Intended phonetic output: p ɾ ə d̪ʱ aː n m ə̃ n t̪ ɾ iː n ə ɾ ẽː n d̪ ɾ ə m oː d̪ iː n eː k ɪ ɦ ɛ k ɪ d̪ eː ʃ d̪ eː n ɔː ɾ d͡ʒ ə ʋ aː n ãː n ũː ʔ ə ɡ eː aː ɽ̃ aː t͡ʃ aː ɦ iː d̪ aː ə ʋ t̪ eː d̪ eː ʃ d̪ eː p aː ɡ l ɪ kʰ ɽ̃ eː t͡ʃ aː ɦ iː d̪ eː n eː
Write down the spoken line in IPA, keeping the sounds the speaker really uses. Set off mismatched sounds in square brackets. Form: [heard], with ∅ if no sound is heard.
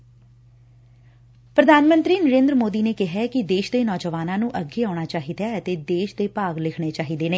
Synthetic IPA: p ɾ ə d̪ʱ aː n m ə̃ n t̪ ɾ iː n ə ɾ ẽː n d̪ ɾ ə m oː d̪ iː n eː k ɪ ɦ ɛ k ɪ d̪ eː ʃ d̪ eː n ɔː [∅] d͡ʒ ə ʋ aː n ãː n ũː ʔ ə ɡ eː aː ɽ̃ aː t͡ʃ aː ɦ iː d̪ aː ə [∅] t̪ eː d̪ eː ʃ d̪ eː p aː ɡ l ɪ kʰ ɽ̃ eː t͡ʃ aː ɦ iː d̪ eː n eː